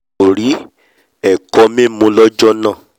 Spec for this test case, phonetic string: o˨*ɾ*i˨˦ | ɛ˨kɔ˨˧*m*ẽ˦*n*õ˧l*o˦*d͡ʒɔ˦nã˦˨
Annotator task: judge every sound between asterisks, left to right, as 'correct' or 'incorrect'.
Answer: correct, correct, incorrect: m, incorrect: ɔ˦

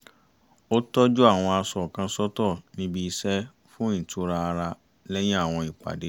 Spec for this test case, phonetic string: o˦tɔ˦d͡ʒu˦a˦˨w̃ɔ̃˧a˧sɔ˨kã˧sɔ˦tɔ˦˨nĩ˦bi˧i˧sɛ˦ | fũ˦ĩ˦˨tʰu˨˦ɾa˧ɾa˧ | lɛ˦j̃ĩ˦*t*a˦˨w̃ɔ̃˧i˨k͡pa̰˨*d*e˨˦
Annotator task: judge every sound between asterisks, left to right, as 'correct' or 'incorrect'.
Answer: incorrect: none, correct

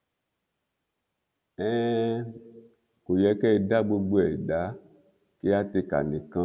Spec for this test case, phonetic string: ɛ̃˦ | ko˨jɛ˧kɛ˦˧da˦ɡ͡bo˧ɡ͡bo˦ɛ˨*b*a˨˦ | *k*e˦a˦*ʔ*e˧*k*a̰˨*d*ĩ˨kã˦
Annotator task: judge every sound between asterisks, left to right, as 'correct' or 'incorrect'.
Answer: incorrect: d, correct, incorrect: t, correct, incorrect: n

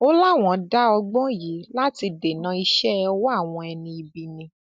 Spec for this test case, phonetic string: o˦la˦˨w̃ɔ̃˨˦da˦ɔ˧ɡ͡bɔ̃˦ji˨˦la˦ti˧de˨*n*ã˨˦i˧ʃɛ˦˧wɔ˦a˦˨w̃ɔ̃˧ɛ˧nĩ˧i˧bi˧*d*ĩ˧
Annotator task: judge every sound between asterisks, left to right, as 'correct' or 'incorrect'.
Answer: correct, incorrect: n

